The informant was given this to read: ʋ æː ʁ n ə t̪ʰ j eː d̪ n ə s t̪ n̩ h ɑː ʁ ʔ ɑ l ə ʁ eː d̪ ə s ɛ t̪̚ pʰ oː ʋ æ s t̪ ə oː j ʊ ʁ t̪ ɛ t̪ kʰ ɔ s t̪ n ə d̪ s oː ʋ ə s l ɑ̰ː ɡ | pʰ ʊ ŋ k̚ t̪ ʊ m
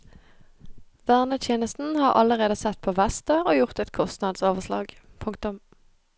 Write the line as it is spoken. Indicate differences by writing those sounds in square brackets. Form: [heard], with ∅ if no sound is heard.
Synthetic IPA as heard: ʋ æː ʁ n ə t̪ʰ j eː [∅] n ə s t̪ n̩ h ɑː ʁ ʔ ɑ l ə ʁ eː d̪ ə s ɛ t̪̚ pʰ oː ʋ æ s t̪ ə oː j ʊ ʁ t̪ ɛ t̪ kʰ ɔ s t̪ n [ɑ] d̪ s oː ʋ ə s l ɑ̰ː ɡ | pʰ ʊ ŋ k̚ t̪ ʊ m